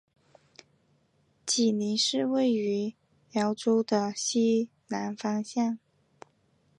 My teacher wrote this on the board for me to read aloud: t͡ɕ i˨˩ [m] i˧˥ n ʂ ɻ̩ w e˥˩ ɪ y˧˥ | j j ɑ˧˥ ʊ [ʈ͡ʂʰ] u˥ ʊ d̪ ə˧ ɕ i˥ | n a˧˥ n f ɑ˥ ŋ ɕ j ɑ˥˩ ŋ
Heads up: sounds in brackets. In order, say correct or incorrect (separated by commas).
incorrect, incorrect